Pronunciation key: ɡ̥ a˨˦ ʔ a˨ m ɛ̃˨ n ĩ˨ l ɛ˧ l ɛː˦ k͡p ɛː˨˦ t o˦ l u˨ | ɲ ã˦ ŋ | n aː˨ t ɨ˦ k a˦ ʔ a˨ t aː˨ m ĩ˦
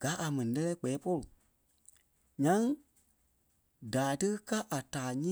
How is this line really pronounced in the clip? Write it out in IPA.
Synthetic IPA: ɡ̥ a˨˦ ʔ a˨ m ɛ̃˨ n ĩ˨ l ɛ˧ l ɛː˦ k͡p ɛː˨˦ p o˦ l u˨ | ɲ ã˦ ŋ | d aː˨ t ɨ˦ k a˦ ʔ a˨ t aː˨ ɲ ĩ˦